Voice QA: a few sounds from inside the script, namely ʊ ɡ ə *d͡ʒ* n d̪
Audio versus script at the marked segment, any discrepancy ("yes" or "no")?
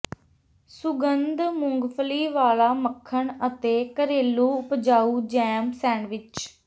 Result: yes